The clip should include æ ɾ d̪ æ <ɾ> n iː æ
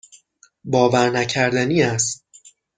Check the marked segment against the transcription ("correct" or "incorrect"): incorrect